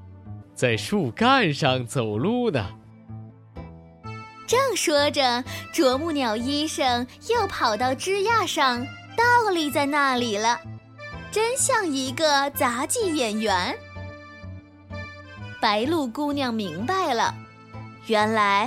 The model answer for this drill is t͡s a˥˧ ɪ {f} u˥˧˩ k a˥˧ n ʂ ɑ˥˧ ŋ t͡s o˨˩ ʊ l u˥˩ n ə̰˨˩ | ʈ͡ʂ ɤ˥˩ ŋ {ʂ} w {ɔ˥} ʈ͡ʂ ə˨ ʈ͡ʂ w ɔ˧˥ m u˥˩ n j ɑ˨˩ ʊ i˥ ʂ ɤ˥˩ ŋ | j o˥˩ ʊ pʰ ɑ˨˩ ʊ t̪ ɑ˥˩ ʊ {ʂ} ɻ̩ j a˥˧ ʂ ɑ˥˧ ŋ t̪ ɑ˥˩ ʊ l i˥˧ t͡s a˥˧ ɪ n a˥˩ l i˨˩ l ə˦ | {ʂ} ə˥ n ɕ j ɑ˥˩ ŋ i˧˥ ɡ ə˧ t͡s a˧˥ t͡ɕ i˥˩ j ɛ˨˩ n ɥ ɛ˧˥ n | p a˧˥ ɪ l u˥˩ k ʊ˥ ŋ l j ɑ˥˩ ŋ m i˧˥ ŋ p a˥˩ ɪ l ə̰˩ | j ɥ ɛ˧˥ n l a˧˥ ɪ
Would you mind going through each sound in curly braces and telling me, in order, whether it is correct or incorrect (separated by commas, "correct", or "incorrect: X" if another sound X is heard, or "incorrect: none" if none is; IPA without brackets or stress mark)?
incorrect: ʂ, correct, correct, incorrect: ʈ͡ʂ, incorrect: ʈ͡ʂ